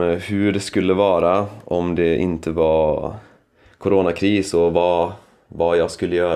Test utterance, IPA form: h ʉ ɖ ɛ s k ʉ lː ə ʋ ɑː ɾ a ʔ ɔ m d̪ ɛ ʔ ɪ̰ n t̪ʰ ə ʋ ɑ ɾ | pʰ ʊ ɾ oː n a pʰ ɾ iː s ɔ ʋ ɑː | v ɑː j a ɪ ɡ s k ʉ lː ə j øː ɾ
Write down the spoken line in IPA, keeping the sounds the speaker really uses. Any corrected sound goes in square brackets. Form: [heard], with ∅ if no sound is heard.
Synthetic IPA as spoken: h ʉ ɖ ɛ s k ʉ lː ə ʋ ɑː ɾ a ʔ ɔ m d̪ ɛ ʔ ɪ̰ n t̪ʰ ə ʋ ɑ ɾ | [kʰ] ʊ ɾ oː n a [kʰ] ɾ iː s ɔ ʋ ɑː | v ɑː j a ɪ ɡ s k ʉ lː ə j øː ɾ